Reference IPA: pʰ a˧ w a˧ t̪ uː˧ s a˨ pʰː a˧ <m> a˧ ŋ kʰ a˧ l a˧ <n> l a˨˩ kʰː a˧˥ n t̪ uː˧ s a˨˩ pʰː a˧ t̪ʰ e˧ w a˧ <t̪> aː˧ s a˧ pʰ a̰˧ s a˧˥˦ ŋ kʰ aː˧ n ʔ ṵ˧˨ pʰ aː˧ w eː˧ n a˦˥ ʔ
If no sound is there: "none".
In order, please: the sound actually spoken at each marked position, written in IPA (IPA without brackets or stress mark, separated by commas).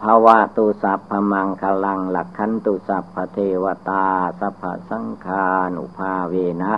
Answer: m, ŋ, t̪